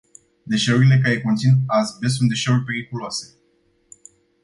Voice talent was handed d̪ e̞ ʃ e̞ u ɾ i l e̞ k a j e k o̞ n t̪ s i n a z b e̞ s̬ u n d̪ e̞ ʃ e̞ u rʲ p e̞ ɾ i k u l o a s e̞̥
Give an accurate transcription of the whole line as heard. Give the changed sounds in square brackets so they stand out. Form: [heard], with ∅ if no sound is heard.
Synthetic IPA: d̪ e̞ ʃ e̞ u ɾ i l e̞ k a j e k o̞ n t̪ s i n a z b e̞ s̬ u n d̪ e̞ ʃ e̞ u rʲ p e̞ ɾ i k u l o a s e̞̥